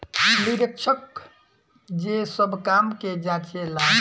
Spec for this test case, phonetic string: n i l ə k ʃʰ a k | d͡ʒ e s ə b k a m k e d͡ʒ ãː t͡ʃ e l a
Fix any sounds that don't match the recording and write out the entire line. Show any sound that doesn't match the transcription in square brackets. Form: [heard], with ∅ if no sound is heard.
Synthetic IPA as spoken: n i [ɾ] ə k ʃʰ [ə] k | d͡ʒ e s ə b k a m k e d͡ʒ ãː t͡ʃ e l a

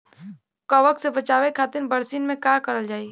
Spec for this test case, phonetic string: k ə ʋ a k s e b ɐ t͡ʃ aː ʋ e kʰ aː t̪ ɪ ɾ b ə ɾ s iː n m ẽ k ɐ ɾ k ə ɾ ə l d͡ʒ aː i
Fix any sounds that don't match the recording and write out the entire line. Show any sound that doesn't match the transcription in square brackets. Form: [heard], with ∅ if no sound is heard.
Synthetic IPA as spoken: k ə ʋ [ə] k s e b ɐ t͡ʃ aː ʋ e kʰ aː t̪ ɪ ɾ b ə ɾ s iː n m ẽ k [a] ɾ k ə ɾ ə l d͡ʒ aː i

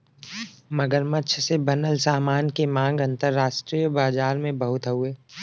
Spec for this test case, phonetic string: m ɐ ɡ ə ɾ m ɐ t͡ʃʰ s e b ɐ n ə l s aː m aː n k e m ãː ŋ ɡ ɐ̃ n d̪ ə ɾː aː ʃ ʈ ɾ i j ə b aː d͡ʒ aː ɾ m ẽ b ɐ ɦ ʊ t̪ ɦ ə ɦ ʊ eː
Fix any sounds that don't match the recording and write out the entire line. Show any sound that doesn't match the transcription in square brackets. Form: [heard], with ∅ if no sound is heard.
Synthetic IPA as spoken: m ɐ ɡ ə ɾ m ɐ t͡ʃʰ s e b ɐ n ə l s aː m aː n k e m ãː ŋ ɡ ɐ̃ n [t̪] ə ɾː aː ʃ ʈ ɾ i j ə b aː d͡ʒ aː ɾ m ẽ b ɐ ɦ ʊ t̪ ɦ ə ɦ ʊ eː

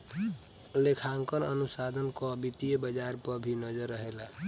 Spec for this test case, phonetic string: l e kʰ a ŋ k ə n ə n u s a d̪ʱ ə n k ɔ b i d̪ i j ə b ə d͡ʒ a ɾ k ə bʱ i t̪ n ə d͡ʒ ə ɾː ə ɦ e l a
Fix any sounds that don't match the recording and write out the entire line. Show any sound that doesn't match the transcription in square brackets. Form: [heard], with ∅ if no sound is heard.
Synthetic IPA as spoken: l e kʰ a ŋ k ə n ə n u s a d̪ʱ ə n k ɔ b i [t̪] i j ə b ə d͡ʒ a ɾ [p] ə bʱ i [∅] n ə d͡ʒ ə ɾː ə ɦ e l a

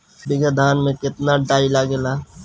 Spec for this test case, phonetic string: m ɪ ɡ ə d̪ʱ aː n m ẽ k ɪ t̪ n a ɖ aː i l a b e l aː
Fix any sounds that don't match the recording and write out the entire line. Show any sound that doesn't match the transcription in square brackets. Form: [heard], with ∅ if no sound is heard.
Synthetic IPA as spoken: [b] ɪ ɡ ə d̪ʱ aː n m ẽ k ɪ t̪ n a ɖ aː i l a [ɡ] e l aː

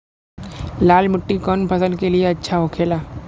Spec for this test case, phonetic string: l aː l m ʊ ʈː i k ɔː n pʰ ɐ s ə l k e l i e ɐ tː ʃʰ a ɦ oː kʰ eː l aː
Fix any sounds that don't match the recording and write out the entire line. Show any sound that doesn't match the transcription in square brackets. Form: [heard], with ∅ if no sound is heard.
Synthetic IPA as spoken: l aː l m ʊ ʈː i k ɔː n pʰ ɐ s ə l k e l i e ɐ tː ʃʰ a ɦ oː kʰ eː l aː

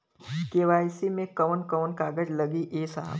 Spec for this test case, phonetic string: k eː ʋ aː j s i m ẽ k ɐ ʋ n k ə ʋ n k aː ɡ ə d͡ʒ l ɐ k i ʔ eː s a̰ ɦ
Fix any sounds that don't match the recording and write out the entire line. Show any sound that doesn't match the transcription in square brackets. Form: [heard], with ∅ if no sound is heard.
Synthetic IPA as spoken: k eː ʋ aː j s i m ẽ k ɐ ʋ n k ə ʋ n k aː ɡ ə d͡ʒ l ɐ [ɡ] i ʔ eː s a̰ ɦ

